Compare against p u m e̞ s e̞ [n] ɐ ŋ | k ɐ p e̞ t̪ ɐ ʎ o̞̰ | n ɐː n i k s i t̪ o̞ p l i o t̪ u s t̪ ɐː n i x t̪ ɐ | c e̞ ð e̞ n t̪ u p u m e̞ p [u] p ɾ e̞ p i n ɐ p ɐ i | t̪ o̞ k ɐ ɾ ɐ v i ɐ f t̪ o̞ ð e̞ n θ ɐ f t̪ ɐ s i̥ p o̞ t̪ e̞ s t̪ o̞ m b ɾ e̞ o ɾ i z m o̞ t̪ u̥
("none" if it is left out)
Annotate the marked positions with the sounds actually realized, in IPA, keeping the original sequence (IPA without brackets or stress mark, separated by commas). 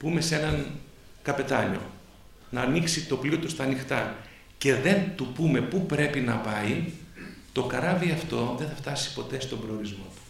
n, u